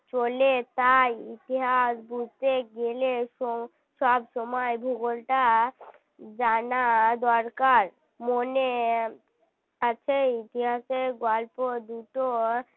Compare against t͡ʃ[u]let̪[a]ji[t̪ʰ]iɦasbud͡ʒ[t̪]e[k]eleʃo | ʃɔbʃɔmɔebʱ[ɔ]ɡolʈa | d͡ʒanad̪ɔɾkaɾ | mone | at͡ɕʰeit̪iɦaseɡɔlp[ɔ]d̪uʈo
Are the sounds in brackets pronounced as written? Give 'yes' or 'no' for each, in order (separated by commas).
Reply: no, yes, no, yes, no, no, no